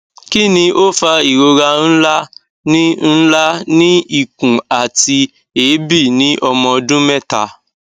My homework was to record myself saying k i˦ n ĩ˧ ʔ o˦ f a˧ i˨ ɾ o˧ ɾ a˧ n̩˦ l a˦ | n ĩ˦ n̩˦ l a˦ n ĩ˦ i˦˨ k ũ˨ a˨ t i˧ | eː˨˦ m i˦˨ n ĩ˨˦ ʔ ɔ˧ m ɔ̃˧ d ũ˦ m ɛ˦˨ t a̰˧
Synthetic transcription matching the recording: k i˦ n ĩ˧ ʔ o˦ f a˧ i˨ ɾ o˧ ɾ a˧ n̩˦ l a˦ | n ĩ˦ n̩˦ l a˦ n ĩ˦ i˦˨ k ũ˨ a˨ t i˧ | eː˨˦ b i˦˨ n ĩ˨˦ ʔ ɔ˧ m ɔ̃˧ d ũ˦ m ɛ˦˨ t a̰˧